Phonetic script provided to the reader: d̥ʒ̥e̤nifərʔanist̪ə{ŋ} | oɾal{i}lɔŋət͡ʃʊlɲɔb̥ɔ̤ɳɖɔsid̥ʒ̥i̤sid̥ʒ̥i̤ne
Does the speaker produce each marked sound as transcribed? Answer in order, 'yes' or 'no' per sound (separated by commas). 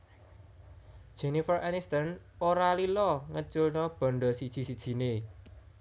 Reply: no, yes